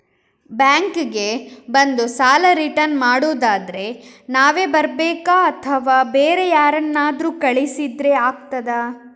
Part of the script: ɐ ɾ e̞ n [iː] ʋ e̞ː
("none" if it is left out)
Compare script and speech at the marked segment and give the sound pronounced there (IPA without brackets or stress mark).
aː